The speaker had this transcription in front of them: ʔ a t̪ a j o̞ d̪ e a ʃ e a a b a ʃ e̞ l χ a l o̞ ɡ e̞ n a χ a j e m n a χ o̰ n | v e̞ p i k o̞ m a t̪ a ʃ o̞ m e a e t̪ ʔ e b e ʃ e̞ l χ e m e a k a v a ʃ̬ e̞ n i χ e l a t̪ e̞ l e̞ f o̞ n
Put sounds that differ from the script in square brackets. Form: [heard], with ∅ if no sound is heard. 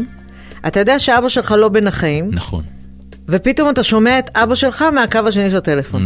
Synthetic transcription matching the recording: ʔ a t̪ a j o̞ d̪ e a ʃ e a a b a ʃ e̞ l χ a l o̞ [b] e̞ n a χ a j [i] m n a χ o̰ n | v e̞ p i [t] o̞ m a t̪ a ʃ o̞ m e a e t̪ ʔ [a] b [a] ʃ e̞ l χ [a] m e a k a v a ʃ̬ e̞ n i [ʃ] e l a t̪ e̞ l e̞ f o̞ n